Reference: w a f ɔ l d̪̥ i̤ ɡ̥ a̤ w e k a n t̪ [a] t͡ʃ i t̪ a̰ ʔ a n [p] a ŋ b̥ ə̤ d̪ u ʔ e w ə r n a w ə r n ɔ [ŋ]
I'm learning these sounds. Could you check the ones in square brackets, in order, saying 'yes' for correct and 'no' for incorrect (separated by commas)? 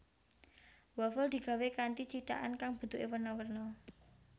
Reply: no, no, no